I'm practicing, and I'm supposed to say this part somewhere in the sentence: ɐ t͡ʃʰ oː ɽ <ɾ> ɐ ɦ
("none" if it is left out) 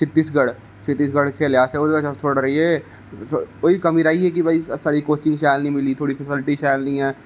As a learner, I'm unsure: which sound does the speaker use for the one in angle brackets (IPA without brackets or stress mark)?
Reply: ɾ